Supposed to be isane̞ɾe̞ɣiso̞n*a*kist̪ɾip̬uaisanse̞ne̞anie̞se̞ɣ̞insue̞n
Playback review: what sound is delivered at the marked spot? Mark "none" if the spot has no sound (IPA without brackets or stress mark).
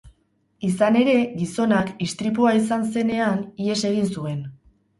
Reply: a